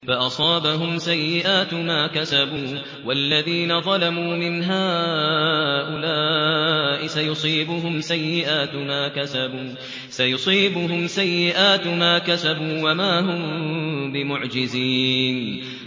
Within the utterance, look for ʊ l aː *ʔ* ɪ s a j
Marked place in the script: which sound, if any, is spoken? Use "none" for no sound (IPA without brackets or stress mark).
ʔ